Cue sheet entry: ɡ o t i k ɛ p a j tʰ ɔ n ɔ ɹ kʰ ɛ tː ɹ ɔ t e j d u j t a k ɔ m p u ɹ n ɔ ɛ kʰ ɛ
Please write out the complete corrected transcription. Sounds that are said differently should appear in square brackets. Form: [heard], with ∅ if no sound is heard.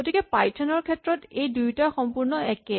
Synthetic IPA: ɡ o t i k ɛ p a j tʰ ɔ n ɔ ɹ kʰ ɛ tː ɹ ɔ t e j d u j t a [x] ɔ m p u ɹ n ɔ ɛ [k] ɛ